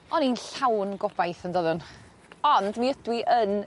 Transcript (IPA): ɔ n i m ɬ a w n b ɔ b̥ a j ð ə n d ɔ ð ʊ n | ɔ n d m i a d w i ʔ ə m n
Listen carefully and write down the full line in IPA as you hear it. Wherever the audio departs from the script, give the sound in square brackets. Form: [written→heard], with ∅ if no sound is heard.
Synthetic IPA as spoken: ɔ n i [m→n] ɬ a w n [b→ɡ] ɔ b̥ a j [ð→θ] ə n d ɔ ð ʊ n | ɔ n d m i [a→ə] d w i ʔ ə [m→∅] n